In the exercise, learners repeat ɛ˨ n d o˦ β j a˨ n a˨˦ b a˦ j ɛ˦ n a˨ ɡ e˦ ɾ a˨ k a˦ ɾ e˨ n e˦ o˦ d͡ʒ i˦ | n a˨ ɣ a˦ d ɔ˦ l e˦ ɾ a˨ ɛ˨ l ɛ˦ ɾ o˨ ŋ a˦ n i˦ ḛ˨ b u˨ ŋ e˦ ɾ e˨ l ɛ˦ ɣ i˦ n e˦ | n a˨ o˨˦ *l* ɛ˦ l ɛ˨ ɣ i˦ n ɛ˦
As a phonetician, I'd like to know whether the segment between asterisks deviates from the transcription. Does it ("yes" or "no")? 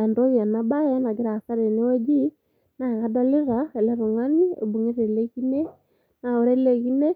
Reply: yes